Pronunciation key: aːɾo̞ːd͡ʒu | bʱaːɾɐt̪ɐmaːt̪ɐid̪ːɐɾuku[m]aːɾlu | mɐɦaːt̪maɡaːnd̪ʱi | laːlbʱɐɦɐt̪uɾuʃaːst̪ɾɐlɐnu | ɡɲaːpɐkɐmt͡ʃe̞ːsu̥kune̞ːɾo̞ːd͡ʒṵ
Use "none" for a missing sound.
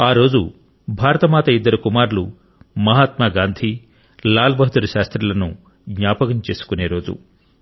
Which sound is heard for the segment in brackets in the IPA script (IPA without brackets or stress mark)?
m